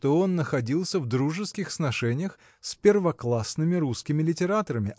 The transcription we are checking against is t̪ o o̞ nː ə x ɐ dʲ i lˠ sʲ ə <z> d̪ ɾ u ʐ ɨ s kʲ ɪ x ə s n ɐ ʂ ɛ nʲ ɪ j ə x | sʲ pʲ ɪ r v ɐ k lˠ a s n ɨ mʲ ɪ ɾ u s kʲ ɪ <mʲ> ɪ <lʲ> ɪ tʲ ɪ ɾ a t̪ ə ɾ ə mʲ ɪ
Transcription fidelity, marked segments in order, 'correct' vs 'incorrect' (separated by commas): incorrect, correct, correct